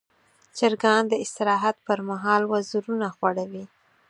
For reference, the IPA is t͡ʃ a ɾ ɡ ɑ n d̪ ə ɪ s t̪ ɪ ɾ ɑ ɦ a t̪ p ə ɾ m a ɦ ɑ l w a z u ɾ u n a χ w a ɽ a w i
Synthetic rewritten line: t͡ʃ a ɾ ɡ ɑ n d̪ ə ɪ s t̪ ɪ ɾ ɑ ɦ a t̪ p ə ɾ m a ɦ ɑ l w a z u ɾ u n a x w a ɽ a w i